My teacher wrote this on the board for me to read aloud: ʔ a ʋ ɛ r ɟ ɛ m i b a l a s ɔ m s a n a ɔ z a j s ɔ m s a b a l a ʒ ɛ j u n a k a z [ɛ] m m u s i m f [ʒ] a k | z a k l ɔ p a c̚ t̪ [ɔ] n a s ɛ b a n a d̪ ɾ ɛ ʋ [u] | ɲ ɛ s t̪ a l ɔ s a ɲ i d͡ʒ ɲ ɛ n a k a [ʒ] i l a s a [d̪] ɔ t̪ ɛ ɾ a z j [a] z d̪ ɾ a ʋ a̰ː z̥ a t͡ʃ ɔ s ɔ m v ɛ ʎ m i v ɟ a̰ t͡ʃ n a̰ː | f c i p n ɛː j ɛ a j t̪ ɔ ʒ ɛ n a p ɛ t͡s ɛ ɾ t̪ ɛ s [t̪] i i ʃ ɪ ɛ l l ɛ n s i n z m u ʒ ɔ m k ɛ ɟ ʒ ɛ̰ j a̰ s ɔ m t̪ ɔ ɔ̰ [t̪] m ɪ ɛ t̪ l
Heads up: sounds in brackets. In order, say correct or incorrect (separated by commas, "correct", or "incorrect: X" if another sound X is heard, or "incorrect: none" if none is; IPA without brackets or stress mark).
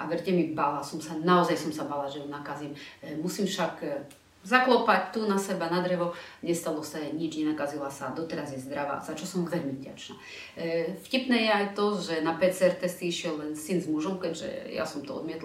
incorrect: i, incorrect: ʃ, incorrect: u, incorrect: ɔ, incorrect: z, correct, incorrect: ɛ, correct, incorrect: d̪